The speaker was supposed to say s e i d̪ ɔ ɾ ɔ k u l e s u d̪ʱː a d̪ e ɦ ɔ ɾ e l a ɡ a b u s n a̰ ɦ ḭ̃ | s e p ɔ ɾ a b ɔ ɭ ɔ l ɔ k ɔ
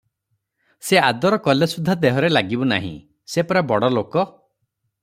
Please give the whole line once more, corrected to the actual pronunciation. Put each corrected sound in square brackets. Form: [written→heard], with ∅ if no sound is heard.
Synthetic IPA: s e [i→a] d̪ ɔ ɾ ɔ k [u→ɔ] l e s u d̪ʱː a d̪ e ɦ ɔ ɾ e l a ɡ [a→i] b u [s→∅] n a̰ ɦ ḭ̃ | s e p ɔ ɾ a b ɔ [ɭ→ɽ] ɔ l [ɔ→o] k ɔ